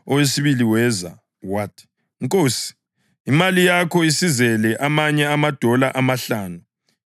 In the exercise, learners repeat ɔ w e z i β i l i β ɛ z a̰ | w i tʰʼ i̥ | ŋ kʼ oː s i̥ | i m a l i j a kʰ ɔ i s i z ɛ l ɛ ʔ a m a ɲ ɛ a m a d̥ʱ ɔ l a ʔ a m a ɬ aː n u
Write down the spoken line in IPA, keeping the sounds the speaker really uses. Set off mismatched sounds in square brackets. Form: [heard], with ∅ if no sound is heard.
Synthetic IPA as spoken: ɔ w e [s] i β i l i [w] ɛ z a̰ | w [a] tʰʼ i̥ | ŋ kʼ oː s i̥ | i m a l i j a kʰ ɔ i s i z ɛ l ɛ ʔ a m a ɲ ɛ a m a d̥ʱ ɔ l a ʔ a m a ɬ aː n u